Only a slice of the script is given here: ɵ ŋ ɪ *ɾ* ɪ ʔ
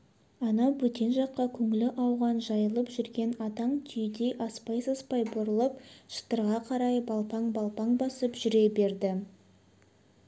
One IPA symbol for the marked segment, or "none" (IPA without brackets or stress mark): l